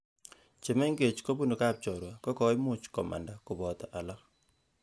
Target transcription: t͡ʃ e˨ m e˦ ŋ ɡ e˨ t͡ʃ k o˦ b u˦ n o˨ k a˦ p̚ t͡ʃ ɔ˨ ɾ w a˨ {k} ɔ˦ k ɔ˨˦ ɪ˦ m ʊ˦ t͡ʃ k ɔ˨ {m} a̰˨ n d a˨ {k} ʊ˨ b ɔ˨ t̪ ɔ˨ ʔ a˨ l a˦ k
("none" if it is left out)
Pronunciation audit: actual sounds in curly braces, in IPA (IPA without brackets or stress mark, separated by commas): k, m, k